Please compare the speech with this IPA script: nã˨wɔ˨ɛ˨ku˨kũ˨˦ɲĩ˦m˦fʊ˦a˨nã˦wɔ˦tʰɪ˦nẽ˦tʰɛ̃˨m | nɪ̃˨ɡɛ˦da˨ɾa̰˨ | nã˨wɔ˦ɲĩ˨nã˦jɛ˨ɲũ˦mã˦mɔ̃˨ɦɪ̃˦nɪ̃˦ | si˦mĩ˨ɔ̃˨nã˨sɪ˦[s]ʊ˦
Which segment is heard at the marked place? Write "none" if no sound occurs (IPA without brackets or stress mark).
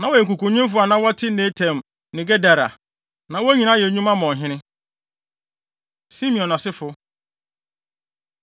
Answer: f